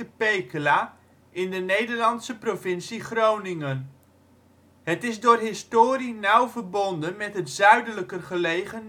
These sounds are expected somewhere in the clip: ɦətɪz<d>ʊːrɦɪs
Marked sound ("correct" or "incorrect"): correct